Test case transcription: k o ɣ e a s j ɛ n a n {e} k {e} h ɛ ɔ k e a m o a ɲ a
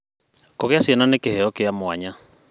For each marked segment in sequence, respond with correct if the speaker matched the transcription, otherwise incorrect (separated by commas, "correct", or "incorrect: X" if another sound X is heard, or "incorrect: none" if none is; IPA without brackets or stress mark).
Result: correct, correct